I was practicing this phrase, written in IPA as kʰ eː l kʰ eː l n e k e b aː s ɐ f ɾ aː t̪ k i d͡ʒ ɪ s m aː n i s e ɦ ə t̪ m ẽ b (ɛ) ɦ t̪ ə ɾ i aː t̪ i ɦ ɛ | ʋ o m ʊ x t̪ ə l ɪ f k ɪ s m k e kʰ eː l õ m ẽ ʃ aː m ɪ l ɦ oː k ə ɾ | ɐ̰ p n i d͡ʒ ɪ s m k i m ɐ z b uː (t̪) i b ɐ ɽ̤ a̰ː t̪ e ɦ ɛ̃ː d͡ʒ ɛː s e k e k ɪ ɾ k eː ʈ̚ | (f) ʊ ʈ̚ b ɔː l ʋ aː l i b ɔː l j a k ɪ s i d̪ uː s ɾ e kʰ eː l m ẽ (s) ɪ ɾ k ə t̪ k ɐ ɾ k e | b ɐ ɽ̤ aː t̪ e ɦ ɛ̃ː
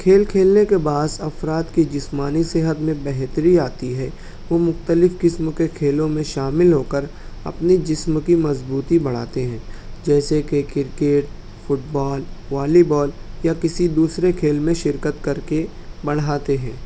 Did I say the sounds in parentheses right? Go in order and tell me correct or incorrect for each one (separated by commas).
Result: correct, correct, correct, incorrect